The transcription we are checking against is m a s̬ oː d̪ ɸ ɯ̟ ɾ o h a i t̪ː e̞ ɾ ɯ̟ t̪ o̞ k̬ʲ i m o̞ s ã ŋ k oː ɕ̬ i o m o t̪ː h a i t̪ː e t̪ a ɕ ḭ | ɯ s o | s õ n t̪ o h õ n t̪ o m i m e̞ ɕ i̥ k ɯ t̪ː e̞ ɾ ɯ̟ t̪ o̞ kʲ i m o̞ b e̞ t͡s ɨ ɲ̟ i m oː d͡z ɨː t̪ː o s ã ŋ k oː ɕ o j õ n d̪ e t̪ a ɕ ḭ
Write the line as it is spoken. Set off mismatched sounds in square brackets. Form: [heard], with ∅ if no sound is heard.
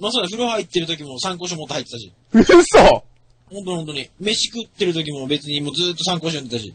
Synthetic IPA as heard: m a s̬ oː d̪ ɸ ɯ̟ ɾ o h a i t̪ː e̞ ɾ ɯ̟ t̪ o̞ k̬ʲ i m o̞ s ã ŋ k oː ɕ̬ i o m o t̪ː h a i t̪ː e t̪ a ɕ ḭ | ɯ s o | [h] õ n t̪ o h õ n t̪ o [ɲ] i m e̞ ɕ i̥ k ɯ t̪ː e̞ ɾ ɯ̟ t̪ o̞ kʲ i m o̞ b e̞ t͡s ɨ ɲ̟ i m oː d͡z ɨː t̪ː o s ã ŋ k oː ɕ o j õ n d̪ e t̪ a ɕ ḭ